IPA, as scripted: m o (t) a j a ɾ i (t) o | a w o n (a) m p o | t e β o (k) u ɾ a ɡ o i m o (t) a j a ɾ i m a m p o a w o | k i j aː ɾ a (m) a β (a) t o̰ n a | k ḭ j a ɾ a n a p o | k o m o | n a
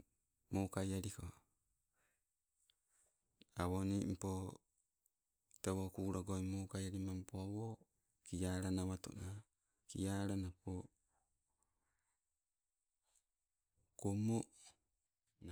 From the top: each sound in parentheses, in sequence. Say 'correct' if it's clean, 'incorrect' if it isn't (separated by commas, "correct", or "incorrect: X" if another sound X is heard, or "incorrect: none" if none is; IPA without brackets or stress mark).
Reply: incorrect: k, incorrect: k, incorrect: i, correct, incorrect: k, incorrect: n, correct